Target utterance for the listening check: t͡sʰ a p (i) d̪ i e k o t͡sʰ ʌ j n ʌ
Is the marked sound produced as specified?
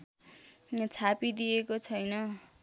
yes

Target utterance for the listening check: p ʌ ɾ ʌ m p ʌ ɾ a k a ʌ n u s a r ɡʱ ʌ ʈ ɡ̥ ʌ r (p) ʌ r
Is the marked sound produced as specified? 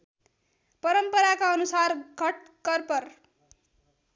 yes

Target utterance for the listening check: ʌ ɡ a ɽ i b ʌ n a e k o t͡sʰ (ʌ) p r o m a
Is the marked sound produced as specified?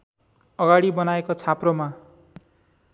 no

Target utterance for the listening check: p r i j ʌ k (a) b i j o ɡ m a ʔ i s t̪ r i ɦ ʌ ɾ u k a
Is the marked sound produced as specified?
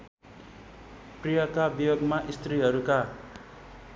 yes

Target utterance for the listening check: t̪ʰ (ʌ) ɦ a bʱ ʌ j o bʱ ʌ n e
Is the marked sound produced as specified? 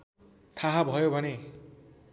no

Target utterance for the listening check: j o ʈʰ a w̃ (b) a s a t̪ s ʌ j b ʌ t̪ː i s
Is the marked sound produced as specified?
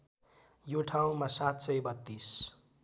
no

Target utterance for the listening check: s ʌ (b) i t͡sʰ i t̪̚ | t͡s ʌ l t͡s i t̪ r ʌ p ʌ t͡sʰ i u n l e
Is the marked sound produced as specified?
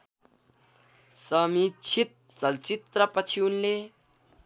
no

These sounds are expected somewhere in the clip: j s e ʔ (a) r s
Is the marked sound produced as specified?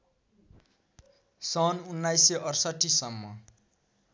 no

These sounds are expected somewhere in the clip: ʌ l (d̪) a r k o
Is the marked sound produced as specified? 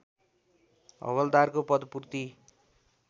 yes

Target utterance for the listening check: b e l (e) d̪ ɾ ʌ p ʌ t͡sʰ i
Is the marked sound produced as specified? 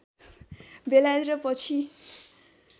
no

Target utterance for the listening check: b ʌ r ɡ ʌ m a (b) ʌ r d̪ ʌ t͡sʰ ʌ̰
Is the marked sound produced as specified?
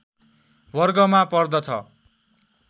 no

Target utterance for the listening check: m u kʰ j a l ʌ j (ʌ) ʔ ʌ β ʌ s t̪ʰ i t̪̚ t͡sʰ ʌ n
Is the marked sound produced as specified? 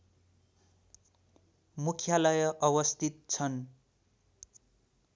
yes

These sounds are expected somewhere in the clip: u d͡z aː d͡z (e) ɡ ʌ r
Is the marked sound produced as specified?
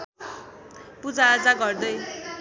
no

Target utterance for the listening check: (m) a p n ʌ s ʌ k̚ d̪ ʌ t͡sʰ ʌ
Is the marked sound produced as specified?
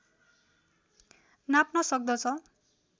no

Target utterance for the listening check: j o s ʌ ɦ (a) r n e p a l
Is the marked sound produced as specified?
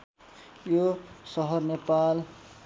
no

